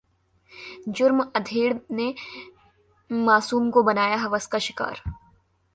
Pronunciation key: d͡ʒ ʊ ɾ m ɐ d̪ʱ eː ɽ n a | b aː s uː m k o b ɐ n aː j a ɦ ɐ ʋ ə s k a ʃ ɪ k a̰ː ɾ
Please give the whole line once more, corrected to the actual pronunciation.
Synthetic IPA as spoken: d͡ʒ ʊ ɾ m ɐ d̪ʱ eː ɽ n e | m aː s uː m k o b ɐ n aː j a ɦ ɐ ʋ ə s k a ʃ ɪ k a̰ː ɾ